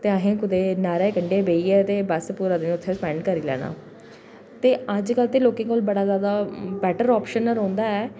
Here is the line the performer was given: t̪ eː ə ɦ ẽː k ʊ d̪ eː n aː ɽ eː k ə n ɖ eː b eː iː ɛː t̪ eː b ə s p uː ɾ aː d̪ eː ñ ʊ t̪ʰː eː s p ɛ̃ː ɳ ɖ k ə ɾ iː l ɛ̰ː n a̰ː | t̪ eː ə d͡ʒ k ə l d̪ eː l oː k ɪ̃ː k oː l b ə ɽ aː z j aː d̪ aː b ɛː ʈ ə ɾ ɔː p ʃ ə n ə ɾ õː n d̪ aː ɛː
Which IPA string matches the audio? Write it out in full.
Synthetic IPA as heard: t̪ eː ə ɦ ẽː k ʊ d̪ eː n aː ɾ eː k ə ɳ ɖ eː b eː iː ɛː t̪ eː b ə s p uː ɾ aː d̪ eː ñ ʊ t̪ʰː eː s p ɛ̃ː ɳ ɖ k ə ɾ iː l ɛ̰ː n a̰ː | t̪ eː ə d͡ʒ k ə l t̪ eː l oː k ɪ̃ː k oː l b ə ɽ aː z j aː d̪ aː b ɛː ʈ ə ɾ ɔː p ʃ ə n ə ɾ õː n d̪ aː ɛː